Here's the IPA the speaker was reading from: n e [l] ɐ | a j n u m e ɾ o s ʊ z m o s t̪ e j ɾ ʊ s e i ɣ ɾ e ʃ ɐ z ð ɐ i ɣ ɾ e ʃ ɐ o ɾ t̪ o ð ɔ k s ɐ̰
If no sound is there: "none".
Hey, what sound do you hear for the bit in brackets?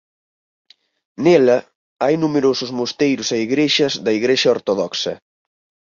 l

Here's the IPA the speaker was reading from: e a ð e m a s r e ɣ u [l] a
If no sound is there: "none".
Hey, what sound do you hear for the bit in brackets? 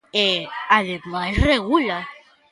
l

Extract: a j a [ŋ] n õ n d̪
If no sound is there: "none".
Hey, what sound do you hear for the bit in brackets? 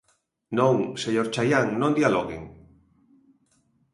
ŋ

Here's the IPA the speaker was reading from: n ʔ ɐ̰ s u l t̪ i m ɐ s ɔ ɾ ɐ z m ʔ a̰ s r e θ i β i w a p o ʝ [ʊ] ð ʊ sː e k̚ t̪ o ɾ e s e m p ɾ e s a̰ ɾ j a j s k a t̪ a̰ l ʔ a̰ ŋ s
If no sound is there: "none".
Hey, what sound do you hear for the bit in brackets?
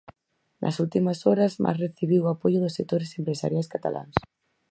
ʊ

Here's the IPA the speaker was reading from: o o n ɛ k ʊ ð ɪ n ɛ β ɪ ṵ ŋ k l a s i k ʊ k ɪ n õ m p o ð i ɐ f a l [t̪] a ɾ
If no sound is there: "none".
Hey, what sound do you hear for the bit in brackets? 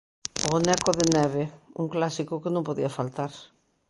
t̪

